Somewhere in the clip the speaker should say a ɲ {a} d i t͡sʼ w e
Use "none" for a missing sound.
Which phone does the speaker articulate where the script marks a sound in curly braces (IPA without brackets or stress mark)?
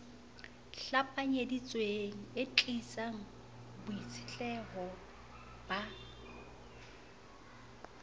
e